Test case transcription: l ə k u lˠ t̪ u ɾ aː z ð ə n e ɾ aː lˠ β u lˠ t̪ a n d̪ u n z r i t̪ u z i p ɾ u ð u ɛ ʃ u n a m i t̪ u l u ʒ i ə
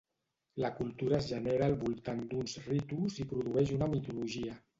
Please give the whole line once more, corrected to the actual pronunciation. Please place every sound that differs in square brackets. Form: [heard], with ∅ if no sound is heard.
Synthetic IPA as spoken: l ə k u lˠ t̪ u ɾ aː z [ʒ] ə n e ɾ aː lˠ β u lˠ t̪ a n d̪ u n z r i t̪ u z i p ɾ u ð u ɛ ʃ u n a m i t̪ u l u ʒ i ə